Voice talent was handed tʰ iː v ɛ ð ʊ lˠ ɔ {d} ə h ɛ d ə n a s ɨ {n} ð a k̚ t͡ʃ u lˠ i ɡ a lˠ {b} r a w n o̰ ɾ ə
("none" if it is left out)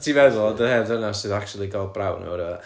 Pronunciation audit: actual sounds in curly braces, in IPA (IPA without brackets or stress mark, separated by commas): d, none, b